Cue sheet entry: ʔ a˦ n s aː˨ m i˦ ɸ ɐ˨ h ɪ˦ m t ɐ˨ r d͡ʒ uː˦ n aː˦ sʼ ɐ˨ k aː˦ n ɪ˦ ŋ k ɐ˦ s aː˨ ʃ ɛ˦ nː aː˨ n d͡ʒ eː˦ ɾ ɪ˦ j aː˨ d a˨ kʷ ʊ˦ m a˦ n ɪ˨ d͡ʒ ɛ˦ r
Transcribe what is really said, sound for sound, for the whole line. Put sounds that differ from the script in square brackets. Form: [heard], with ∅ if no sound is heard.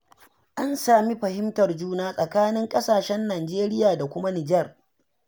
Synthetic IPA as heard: ʔ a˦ n s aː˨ m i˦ ɸ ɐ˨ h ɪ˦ m t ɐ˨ r d͡ʒ uː˦ n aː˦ sʼ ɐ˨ k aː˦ n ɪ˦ ŋ [kʼ] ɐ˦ s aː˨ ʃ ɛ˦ nː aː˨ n d͡ʒ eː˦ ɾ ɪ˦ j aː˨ d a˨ kʷ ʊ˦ m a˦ n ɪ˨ d͡ʒ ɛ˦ r